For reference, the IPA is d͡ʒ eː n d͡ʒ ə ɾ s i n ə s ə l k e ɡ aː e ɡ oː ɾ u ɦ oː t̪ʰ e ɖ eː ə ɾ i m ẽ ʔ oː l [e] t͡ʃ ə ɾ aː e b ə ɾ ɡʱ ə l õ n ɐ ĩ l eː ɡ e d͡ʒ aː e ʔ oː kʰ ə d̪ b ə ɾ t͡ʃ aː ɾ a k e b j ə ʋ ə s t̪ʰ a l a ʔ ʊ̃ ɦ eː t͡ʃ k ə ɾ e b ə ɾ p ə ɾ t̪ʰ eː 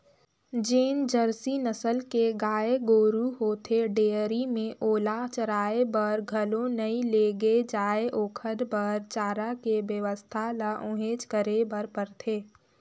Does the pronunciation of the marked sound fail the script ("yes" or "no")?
yes